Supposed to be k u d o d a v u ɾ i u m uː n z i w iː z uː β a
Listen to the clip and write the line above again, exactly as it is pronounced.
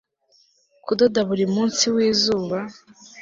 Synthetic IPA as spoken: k u d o d a β u ɾ i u m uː n s i w iː z uː β a